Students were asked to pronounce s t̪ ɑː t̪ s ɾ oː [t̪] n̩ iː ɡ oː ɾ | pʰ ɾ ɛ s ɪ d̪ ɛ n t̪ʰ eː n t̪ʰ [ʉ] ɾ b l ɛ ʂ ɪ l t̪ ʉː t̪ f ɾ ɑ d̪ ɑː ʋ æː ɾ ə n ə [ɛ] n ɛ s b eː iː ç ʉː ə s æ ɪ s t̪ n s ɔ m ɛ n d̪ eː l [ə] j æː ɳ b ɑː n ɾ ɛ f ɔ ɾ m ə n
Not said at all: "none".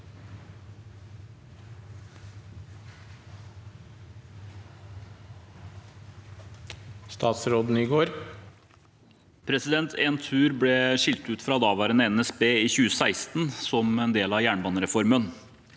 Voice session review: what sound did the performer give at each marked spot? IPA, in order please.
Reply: d̪, ʉː, ɛ, ɑ

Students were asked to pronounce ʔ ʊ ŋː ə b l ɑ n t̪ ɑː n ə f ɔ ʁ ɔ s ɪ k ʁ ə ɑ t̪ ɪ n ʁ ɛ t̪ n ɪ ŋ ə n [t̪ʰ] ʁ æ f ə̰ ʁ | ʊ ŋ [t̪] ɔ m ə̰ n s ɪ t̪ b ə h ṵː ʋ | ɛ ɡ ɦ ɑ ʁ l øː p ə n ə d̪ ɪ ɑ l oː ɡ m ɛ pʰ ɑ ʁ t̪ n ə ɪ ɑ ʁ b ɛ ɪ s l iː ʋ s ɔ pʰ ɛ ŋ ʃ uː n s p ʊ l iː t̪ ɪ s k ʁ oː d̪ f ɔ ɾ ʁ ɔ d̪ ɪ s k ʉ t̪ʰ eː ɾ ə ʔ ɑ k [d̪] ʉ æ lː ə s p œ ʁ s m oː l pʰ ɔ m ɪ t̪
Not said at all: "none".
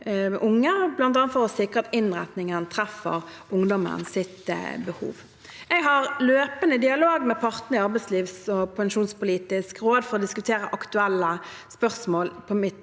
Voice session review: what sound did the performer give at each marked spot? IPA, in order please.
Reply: t̪ʰ, d̪, t̪

